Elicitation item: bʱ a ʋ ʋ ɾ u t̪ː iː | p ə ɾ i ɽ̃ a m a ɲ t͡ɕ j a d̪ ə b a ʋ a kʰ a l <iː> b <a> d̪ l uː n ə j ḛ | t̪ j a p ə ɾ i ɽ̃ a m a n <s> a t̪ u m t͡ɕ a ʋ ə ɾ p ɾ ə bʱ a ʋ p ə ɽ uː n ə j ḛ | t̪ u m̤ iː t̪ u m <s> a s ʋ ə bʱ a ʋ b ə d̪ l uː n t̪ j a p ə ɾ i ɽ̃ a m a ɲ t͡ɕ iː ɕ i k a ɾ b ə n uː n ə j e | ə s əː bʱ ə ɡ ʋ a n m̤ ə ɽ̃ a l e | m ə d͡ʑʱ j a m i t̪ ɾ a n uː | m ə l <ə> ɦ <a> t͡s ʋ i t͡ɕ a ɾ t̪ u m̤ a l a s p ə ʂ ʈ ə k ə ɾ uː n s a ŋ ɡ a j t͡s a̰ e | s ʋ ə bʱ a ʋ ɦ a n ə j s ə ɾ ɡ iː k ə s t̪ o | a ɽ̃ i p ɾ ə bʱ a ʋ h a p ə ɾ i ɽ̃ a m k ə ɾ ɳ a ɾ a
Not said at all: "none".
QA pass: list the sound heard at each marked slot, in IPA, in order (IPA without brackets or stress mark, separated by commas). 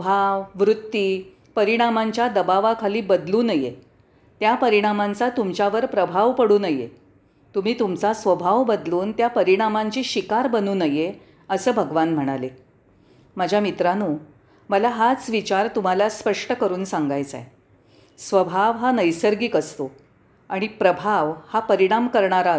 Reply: iː, ə, t͡s, t͡s, a, a